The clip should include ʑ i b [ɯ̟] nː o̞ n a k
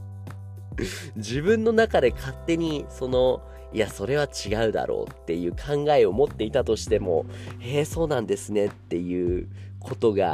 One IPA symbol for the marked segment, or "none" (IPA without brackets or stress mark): ɯ̟̃